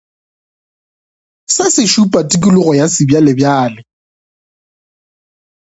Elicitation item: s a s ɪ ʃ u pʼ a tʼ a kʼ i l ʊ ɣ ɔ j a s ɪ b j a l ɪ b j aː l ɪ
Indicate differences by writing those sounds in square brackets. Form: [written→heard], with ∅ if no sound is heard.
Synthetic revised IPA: s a s ɪ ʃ u pʼ a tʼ [a→i] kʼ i l ʊ ɣ ɔ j a s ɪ b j a l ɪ b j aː l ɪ